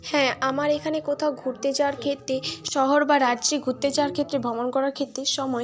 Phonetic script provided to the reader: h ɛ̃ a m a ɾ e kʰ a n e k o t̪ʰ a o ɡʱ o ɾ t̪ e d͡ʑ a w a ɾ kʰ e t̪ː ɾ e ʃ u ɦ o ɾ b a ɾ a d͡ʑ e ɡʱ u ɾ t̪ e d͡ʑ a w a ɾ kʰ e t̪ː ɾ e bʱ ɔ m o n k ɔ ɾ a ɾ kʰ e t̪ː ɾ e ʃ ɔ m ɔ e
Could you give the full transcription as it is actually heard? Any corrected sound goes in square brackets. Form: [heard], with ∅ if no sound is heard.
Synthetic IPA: h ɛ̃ a m a ɾ e kʰ a n e k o t̪ʰ a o ɡʱ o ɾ t̪ e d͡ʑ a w a ɾ kʰ e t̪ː ɾ e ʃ [ɔ] ɦ o ɾ b a ɾ a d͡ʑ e ɡʱ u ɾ t̪ e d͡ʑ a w a ɾ kʰ e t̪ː ɾ e bʱ ɔ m o n k ɔ ɾ a ɾ kʰ e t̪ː ɾ e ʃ ɔ m ɔ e